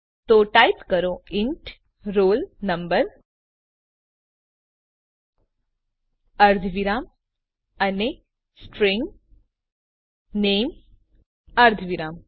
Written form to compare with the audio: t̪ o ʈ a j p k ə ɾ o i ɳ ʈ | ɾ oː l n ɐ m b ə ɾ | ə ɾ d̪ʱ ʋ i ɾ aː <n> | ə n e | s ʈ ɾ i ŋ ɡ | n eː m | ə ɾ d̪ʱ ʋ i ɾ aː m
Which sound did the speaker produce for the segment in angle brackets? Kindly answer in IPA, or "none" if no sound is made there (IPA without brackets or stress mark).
m